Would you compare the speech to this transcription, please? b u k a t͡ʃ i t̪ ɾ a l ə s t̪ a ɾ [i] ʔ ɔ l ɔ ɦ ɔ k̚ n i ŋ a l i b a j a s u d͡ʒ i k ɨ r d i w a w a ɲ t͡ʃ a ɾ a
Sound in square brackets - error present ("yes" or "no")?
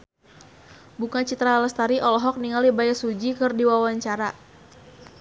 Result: no